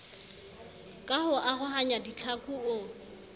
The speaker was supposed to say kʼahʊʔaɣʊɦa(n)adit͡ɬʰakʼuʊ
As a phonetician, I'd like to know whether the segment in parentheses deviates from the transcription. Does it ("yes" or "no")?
yes